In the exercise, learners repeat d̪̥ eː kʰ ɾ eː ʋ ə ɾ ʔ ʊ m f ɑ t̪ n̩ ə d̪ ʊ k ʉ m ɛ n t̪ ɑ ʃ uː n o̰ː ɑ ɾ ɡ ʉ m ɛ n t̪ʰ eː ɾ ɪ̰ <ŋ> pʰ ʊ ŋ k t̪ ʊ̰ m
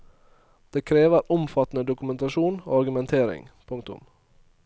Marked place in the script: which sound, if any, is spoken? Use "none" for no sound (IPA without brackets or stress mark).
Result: ŋ